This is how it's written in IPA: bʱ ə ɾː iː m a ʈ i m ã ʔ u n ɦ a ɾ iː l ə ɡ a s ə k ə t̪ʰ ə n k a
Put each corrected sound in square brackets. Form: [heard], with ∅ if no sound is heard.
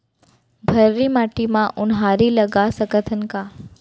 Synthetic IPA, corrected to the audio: bʱ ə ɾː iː m a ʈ i m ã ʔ u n ɦ a ɾ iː l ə ɡ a s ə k ə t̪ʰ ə n k a